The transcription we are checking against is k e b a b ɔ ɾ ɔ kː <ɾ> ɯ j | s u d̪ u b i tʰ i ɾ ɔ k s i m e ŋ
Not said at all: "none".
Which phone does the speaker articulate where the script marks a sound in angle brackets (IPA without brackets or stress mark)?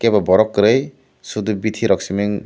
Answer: ɾ